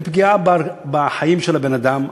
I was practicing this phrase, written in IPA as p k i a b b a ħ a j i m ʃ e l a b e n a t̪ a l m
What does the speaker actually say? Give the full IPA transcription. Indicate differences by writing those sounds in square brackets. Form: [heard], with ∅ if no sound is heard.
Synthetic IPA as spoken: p [ɡ] i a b b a ħ a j i m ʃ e l a b e n a [d̪] a [∅] m